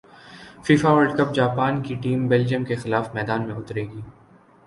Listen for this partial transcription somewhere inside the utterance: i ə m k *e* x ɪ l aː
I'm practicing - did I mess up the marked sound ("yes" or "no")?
no